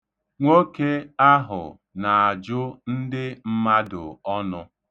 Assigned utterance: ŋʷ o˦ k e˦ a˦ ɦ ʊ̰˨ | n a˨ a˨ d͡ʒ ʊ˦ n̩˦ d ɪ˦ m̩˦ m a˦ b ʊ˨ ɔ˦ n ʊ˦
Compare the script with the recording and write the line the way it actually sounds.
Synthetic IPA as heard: ŋʷ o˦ k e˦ a˦ ɦ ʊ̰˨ | n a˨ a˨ d͡ʒ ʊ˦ n̩˦ d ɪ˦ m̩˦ m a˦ d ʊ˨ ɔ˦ n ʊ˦